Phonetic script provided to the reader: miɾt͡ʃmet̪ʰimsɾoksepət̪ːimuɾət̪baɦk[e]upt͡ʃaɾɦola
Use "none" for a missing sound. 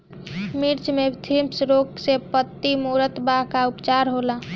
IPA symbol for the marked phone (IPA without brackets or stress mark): a